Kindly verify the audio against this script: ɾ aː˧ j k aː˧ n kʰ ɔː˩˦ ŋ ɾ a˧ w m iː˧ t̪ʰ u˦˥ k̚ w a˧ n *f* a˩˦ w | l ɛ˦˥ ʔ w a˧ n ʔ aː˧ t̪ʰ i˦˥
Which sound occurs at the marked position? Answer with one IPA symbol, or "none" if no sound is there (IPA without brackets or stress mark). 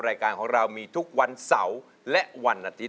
s